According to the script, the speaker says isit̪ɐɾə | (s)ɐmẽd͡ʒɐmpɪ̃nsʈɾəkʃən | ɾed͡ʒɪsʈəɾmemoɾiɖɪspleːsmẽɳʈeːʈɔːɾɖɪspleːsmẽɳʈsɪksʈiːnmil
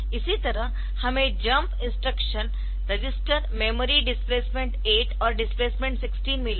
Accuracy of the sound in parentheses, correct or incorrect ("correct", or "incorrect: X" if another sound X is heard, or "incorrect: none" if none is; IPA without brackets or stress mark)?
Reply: incorrect: h